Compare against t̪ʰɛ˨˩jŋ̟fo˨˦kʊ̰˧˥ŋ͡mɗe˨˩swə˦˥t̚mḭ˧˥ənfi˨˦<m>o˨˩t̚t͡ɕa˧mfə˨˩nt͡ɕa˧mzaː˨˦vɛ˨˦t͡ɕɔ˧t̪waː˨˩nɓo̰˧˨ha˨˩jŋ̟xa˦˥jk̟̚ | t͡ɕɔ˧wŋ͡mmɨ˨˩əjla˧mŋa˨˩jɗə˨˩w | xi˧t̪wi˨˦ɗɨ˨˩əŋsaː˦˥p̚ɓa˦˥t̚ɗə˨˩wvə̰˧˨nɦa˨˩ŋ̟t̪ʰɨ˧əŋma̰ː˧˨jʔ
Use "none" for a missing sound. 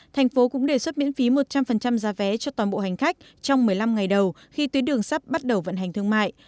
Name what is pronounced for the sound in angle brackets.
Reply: m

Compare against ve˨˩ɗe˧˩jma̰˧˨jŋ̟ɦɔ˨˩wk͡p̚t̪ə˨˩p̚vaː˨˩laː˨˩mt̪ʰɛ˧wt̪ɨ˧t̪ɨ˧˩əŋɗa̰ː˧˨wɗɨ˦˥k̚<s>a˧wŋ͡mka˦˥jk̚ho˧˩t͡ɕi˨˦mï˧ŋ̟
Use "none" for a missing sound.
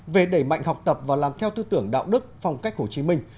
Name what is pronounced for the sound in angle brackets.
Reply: f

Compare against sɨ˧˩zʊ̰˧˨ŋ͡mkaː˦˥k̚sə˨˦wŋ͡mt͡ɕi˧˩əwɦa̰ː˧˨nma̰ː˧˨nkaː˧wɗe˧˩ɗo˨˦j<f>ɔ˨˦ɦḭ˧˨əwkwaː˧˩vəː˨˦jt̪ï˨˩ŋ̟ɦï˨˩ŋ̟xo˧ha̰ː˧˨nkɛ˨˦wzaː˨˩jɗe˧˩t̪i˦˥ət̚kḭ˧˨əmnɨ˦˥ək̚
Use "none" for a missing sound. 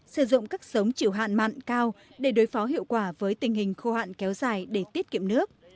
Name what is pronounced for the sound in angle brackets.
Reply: f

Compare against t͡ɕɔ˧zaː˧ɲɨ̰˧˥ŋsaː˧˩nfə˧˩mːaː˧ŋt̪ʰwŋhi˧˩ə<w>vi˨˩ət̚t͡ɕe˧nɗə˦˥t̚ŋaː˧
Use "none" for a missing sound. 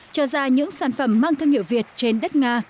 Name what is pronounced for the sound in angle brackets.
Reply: w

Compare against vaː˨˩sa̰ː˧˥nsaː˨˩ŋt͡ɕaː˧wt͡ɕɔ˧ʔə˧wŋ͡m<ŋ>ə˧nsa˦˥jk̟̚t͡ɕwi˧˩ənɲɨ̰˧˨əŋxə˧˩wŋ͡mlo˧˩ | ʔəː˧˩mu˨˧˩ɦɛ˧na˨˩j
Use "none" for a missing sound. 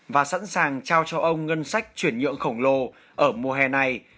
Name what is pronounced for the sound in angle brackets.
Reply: ŋ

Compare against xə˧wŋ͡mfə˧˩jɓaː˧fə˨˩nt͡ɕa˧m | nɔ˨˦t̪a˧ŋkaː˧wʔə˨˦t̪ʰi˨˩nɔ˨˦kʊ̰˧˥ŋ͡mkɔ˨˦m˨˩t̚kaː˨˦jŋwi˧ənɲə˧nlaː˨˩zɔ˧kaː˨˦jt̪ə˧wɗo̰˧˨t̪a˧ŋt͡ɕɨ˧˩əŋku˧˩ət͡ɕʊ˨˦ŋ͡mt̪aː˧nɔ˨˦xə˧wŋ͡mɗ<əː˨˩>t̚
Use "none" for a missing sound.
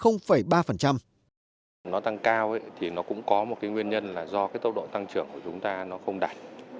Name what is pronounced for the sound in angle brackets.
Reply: aː˨˩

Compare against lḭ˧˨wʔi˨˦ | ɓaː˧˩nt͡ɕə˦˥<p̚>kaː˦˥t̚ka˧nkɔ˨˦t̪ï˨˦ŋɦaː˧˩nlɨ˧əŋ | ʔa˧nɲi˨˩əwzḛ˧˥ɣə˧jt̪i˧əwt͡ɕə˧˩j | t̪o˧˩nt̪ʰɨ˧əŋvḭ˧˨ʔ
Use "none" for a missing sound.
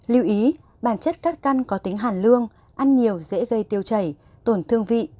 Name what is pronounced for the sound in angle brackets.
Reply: t̚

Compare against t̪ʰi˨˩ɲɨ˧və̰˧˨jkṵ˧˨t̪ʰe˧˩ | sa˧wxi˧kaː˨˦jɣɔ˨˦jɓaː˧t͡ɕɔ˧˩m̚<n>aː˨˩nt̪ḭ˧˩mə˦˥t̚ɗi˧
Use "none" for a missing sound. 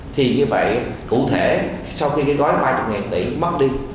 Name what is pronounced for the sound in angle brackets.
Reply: ŋ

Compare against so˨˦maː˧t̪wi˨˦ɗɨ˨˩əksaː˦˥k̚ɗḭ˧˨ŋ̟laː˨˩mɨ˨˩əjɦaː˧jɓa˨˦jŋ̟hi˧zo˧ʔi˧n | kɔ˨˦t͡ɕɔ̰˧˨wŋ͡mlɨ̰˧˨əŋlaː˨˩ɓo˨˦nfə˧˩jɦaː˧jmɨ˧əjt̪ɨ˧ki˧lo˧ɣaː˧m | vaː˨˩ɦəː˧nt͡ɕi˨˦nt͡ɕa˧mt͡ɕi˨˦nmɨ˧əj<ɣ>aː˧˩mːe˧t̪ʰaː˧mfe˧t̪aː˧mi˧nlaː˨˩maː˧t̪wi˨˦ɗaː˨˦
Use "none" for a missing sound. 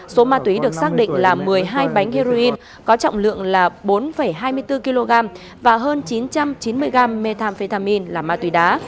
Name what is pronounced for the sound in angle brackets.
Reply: ɣ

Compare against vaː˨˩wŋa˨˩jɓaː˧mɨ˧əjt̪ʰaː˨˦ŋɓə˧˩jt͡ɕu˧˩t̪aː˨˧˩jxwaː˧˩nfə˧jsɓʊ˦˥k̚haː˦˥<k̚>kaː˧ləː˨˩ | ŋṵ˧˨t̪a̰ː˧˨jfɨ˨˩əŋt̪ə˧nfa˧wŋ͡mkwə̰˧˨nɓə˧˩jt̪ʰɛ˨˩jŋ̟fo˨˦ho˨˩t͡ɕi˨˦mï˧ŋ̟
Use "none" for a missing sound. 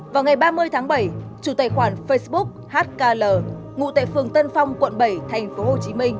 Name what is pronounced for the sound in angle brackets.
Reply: t̚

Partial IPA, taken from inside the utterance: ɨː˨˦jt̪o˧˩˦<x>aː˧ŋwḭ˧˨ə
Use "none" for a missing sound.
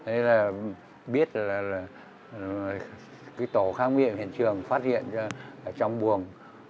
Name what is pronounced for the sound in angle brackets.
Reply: x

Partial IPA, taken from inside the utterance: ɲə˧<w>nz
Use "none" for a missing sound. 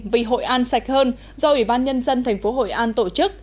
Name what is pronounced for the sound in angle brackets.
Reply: none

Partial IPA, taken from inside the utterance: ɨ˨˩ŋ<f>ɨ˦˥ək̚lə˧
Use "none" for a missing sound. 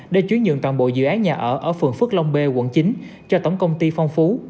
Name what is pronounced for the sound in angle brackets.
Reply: f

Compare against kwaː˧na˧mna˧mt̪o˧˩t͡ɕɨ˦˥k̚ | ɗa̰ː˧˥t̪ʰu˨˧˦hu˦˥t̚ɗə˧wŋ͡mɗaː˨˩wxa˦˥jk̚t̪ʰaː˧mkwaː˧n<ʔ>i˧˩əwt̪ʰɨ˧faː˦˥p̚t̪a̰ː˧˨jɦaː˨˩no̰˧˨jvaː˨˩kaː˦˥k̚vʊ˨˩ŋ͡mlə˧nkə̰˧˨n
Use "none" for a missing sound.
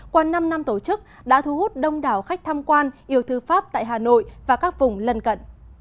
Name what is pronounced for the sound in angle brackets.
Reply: ʔ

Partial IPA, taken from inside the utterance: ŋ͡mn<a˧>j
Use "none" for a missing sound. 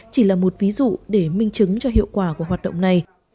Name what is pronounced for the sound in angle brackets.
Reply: a˨˩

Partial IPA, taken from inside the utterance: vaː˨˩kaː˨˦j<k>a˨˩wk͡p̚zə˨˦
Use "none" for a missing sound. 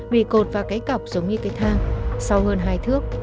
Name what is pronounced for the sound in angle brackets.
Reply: k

